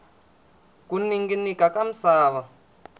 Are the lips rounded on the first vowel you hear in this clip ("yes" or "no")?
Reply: yes